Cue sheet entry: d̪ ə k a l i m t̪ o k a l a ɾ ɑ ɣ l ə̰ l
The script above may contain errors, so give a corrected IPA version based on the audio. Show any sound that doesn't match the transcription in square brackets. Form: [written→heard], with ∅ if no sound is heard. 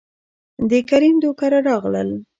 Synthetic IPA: d̪ ə k a [l→ɾ] i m [t̪→d̪] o k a [l→ɾ] a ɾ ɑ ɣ l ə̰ l